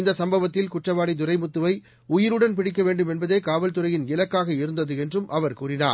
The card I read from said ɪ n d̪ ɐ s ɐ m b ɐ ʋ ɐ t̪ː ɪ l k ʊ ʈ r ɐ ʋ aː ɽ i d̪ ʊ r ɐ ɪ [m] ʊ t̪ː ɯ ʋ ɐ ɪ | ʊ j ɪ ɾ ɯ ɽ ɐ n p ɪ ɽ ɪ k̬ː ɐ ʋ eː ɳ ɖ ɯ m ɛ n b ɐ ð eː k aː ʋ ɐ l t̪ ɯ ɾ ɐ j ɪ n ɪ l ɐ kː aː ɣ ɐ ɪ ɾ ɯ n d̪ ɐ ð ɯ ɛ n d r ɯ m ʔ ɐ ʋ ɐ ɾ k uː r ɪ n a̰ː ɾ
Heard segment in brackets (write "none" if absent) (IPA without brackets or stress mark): m